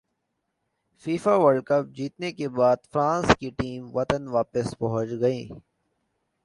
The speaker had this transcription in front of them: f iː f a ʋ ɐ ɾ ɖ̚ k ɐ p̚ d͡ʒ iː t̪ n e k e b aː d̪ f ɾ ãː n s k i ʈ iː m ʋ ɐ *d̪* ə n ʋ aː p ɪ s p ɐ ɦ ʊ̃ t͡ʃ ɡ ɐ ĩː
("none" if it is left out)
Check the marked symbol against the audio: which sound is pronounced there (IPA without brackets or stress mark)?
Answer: t̪